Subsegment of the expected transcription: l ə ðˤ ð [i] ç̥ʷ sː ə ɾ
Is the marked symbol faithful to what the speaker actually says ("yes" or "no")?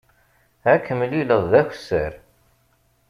no